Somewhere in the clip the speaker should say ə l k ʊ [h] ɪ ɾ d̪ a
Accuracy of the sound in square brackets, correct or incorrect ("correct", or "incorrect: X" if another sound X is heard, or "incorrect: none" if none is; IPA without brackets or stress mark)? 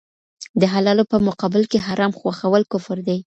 incorrect: f